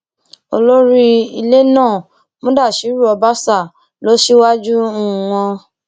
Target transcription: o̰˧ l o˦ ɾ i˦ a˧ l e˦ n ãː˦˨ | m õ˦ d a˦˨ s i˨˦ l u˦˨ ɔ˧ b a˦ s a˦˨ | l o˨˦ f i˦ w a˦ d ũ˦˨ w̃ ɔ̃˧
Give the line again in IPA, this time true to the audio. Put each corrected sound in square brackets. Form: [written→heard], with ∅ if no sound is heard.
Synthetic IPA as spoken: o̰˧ l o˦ ɾ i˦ [a˧→i˧] l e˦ n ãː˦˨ | m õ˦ d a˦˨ [s→ʃ] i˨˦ [l→ɾ] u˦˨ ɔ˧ b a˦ s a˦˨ | l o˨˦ [f→ʃ] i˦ w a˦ [d→d͡ʒ] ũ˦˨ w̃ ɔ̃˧